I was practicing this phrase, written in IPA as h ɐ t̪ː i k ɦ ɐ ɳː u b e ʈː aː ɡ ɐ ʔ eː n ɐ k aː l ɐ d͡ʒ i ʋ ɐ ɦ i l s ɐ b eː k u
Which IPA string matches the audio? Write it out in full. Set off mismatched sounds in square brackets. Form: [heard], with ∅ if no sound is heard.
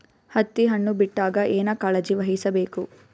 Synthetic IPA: h ɐ t̪ː i [∅] ɦ ɐ ɳː u b [i] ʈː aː ɡ ɐ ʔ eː n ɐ k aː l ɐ d͡ʒ i ʋ ɐ ɦ i [∅] s ɐ b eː k u